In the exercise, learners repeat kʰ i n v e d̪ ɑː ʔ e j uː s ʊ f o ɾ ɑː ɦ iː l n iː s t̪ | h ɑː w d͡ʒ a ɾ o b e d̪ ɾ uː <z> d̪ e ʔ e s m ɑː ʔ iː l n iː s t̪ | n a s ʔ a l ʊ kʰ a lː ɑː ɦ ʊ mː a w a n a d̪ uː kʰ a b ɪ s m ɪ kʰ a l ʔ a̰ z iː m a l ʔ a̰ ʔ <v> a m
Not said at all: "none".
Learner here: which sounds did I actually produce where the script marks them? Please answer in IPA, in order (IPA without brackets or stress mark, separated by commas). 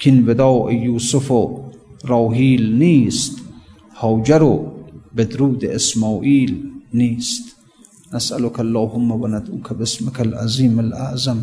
none, z